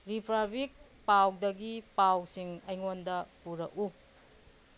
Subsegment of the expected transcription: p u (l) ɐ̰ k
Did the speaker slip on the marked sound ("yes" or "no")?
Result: yes